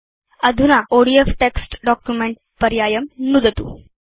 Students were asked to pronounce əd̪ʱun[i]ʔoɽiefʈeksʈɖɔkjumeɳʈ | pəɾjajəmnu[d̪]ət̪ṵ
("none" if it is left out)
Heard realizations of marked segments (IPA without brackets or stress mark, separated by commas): a, d̪